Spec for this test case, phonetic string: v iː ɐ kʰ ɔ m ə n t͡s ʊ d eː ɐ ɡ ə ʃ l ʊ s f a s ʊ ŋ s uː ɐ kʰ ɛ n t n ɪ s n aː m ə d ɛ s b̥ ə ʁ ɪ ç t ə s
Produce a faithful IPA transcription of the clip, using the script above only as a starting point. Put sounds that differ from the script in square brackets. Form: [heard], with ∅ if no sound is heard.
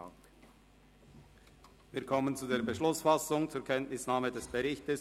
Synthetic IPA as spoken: v iː ɐ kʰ ɔ m ə n t͡s [u] d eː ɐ [b] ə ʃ l ʊ s f a s ʊ ŋ [t͡s] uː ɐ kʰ ɛ n t n ɪ s n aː m ə d ɛ s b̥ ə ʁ ɪ ç t ə s